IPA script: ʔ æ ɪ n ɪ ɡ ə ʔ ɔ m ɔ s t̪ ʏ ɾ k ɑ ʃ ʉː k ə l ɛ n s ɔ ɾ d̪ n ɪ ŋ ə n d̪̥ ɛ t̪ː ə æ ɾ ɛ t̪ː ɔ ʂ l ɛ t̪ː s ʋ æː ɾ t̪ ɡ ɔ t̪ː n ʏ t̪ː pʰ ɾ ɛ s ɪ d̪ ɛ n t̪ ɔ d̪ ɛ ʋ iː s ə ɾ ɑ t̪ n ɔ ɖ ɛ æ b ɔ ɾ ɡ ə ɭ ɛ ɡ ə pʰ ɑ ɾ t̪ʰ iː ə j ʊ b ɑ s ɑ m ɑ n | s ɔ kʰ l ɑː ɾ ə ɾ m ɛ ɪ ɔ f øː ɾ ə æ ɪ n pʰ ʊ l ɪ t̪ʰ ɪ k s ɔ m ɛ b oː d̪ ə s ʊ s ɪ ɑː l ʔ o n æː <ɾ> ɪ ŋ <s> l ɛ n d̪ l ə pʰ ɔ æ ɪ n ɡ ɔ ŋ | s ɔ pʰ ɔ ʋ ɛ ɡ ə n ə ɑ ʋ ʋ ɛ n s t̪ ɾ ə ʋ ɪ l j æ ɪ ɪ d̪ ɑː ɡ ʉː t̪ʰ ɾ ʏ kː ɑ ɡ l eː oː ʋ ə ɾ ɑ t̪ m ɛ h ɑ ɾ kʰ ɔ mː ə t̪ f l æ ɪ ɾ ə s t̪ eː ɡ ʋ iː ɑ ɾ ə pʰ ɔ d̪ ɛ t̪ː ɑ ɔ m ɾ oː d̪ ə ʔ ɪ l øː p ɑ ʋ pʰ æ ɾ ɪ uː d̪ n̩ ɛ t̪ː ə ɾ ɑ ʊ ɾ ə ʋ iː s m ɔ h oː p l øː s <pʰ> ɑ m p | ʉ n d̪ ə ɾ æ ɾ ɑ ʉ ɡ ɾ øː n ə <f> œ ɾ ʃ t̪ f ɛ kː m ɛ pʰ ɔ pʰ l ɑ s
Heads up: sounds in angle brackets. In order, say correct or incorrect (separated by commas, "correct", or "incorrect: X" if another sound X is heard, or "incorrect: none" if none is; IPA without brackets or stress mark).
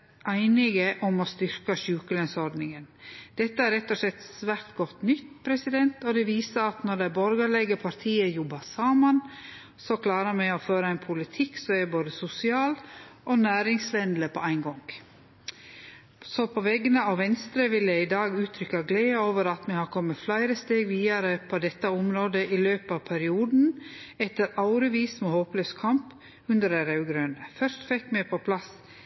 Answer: correct, correct, incorrect: kʰ, correct